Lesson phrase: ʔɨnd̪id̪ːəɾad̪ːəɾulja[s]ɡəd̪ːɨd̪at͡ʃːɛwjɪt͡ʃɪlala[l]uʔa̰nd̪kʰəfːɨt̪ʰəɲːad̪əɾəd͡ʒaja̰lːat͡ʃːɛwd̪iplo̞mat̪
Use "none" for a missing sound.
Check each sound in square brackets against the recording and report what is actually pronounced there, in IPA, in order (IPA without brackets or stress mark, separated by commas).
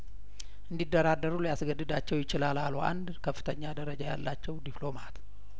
s, l